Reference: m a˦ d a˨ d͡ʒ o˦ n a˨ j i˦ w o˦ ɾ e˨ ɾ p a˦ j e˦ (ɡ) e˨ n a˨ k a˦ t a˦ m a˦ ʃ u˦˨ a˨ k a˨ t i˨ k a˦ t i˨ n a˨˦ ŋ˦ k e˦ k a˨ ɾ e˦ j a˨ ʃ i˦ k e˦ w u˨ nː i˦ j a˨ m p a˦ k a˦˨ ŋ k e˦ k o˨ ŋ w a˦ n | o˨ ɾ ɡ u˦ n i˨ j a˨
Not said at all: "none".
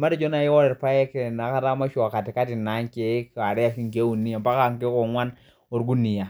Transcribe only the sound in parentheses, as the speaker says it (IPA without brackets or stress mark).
k